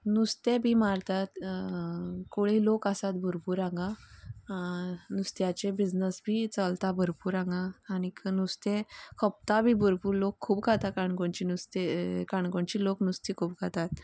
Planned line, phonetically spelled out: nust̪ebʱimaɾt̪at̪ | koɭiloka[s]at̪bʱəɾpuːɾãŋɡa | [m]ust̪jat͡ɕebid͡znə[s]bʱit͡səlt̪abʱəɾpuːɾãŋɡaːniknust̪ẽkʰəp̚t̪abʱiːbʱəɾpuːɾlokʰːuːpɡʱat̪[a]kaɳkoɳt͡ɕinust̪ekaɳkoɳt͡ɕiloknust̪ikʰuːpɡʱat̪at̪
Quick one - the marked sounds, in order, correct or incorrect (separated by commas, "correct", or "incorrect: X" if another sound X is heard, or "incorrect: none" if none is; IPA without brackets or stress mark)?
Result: correct, incorrect: n, correct, correct